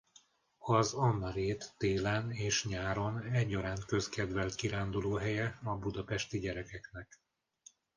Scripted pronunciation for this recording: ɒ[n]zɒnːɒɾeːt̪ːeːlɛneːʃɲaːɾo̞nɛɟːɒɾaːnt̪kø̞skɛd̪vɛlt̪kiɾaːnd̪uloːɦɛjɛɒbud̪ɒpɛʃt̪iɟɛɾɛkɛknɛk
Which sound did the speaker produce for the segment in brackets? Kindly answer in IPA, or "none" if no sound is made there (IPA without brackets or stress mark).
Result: none